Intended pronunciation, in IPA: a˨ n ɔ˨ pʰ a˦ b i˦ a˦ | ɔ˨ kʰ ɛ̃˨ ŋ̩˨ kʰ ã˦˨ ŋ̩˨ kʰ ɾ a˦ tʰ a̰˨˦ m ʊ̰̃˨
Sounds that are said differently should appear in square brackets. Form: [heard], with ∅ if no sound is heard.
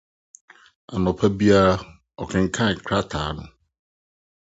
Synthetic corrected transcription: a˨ n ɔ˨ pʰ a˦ b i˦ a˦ | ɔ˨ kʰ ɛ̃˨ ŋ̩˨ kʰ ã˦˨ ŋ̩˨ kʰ ɾ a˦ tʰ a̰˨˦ [n] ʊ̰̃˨